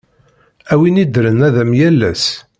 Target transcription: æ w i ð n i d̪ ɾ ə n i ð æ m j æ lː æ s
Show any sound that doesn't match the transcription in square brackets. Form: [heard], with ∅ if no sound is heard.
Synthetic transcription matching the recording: æ w i [∅] n i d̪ ɾ ə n [æ] ð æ m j æ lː æ s